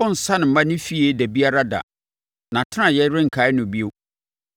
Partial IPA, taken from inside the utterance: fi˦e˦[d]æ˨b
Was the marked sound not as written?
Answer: no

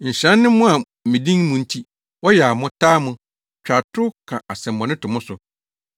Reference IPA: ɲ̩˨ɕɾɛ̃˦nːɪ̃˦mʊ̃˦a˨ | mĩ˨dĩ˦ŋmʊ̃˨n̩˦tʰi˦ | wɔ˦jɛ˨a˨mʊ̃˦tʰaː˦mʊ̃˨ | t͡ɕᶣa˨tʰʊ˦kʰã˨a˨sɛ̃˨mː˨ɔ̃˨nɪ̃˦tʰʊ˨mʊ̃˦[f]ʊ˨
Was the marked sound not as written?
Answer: yes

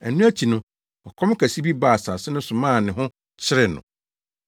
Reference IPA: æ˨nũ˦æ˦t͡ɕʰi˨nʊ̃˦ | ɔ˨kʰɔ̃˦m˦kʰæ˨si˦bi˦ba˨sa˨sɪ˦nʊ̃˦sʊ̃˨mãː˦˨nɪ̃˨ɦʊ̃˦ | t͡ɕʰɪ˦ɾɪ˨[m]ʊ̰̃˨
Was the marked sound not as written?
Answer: yes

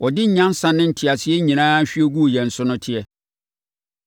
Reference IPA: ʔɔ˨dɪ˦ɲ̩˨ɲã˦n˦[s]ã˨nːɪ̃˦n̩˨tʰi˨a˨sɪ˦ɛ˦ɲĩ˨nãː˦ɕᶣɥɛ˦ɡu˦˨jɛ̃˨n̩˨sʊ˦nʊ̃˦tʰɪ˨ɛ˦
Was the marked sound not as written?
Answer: no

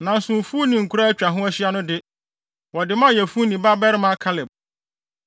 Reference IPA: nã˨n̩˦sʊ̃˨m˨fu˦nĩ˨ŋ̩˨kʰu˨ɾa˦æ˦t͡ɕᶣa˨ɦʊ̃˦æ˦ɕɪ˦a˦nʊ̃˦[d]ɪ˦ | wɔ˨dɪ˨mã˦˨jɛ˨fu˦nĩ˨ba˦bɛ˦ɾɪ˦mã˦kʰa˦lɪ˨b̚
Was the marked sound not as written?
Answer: no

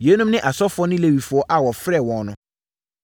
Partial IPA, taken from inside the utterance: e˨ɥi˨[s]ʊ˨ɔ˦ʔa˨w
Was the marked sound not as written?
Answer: yes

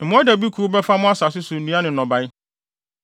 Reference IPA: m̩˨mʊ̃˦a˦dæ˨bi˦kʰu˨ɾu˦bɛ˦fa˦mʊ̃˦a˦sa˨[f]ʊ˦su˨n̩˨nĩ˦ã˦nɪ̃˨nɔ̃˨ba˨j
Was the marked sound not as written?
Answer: yes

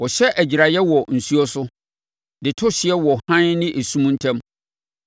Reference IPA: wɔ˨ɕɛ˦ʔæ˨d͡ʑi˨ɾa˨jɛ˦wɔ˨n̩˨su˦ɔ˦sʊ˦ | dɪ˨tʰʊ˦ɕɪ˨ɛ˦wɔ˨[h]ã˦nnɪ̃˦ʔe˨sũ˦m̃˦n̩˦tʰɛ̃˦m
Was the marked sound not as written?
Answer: no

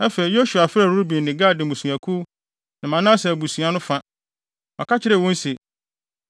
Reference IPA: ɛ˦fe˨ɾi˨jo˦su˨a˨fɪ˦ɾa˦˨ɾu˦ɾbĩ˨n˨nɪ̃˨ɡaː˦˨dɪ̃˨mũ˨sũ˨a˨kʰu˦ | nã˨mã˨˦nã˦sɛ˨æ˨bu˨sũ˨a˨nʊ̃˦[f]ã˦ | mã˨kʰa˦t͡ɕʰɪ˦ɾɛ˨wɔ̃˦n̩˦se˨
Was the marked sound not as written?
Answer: no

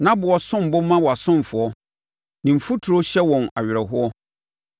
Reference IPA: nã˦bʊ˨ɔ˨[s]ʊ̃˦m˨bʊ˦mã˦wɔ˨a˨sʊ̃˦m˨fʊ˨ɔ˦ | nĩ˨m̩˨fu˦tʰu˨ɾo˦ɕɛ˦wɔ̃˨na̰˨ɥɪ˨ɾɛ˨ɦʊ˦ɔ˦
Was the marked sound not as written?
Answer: no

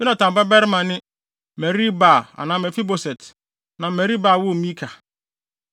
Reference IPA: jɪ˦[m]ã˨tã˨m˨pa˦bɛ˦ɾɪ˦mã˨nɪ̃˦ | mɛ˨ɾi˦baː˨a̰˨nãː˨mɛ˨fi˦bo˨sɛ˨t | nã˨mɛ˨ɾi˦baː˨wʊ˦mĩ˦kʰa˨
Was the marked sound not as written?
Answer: yes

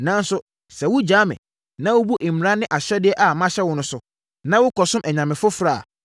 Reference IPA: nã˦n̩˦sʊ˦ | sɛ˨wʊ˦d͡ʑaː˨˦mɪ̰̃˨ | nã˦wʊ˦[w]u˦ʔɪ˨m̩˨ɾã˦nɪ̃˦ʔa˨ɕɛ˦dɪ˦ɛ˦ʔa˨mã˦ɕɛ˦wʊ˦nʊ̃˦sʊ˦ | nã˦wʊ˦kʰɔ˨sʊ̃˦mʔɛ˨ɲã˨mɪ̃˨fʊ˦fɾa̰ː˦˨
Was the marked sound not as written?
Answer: yes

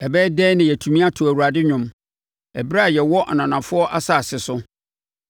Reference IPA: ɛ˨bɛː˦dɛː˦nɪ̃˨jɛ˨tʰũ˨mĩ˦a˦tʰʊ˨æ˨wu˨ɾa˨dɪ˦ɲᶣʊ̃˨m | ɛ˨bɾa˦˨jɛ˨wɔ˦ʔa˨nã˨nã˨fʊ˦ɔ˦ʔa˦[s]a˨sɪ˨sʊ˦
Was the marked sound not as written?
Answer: no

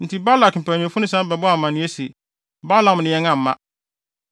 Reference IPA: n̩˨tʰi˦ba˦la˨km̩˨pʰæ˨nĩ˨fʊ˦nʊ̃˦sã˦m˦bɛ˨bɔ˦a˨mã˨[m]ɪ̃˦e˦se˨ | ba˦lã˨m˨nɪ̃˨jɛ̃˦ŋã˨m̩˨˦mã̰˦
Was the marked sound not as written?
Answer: yes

